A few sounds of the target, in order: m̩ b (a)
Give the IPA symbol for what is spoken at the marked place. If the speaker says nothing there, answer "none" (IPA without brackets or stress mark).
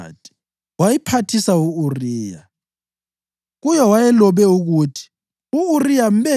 ɛ